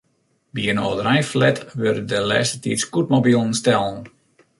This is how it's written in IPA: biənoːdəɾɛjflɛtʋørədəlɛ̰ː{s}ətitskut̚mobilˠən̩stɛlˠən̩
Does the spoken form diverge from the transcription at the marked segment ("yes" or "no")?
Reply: no